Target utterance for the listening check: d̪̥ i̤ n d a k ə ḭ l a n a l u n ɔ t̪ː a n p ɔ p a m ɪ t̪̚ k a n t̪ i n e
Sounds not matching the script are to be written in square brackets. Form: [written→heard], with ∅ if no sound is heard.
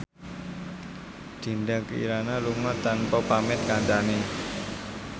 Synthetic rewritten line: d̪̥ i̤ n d a k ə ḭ [l→ɾ] a n a l u [n→ŋ] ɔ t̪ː a n p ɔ p a m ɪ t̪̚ k a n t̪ [i→a] n e